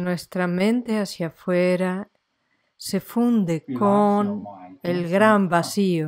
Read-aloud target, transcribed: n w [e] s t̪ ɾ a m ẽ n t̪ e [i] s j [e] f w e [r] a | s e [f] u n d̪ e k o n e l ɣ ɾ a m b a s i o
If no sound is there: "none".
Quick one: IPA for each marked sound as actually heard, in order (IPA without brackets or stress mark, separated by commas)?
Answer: e, a, a, ɾ, f